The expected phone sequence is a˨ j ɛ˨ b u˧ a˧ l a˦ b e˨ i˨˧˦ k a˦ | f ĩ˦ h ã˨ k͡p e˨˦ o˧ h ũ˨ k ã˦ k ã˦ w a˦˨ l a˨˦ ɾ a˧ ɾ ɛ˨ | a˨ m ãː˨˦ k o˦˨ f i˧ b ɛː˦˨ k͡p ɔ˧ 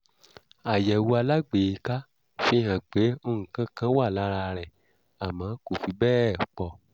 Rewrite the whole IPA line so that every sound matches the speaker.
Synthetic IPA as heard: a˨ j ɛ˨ w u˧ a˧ l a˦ ɡ͡b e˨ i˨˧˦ k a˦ | f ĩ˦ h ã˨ k͡p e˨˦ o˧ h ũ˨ k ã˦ k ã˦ w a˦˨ l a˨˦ ɾ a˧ ɾ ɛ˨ | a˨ m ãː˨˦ k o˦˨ f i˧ b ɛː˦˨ k͡p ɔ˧